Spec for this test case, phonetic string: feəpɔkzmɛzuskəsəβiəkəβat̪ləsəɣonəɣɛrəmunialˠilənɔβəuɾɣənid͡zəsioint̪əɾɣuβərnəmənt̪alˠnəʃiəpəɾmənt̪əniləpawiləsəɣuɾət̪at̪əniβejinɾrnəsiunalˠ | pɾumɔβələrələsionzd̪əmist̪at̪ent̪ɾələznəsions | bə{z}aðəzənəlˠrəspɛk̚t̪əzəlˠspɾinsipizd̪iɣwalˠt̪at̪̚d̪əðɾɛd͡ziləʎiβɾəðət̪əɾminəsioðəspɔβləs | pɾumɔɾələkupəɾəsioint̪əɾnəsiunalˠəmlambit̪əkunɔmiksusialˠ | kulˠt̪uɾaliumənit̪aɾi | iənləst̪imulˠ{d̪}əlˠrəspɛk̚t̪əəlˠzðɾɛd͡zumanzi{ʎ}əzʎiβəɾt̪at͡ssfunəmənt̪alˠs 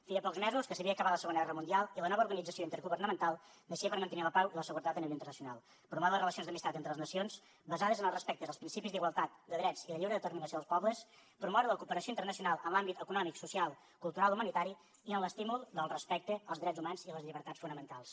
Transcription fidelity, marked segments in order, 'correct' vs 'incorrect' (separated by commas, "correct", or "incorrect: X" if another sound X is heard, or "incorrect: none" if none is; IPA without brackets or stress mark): correct, correct, incorrect: l